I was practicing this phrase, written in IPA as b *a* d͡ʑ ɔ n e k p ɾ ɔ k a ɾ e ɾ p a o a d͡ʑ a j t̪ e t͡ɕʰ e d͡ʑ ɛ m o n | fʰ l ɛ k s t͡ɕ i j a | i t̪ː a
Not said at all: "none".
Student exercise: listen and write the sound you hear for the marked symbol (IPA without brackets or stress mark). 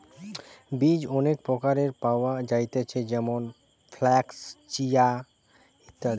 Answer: i